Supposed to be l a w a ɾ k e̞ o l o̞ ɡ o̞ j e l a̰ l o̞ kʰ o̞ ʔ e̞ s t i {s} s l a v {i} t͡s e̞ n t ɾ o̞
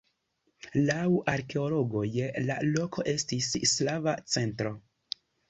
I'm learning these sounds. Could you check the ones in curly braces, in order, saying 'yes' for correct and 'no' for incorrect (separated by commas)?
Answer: yes, no